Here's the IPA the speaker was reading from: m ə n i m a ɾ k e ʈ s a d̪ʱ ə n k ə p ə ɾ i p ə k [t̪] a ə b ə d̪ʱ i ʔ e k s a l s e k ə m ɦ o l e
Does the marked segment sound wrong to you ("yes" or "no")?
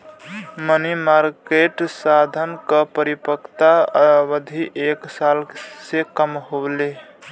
no